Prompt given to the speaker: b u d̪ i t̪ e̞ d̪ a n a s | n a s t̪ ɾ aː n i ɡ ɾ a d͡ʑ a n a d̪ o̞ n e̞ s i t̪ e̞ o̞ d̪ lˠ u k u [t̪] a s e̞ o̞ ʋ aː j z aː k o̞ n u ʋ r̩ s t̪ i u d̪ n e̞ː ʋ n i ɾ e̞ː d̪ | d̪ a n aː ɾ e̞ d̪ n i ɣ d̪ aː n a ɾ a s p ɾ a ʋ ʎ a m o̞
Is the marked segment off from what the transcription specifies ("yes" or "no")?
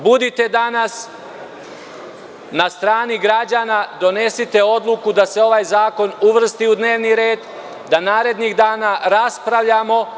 yes